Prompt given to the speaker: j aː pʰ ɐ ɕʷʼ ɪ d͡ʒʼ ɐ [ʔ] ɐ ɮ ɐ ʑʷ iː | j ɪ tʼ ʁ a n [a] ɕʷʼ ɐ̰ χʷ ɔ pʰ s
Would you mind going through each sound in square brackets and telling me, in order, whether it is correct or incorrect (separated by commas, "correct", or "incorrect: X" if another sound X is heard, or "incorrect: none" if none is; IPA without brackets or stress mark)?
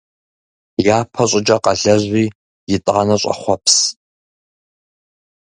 incorrect: q, incorrect: ɐ